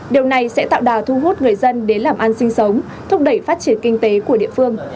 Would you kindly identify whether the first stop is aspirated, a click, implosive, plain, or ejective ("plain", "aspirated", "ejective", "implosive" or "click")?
implosive